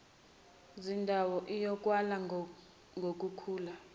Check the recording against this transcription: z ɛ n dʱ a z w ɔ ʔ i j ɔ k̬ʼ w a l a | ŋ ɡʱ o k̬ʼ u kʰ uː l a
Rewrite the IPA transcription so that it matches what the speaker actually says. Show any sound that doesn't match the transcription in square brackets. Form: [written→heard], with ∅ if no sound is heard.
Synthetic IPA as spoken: z [ɛ→i] n dʱ a [z→∅] w ɔ ʔ i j ɔ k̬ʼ w a l a | ŋ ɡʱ o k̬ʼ u kʰ uː l a